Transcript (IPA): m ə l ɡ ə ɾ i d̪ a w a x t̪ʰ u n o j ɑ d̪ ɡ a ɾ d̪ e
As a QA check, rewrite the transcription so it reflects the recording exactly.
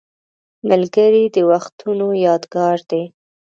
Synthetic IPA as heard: m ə l ɡ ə ɾ i d̪ ə w a x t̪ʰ u n o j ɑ d̪ ɡ ɑ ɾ d̪ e